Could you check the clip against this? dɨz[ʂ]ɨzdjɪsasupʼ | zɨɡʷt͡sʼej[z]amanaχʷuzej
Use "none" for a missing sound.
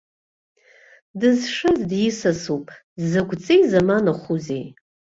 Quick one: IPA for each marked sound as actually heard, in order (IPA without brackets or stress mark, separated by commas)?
ʂ, z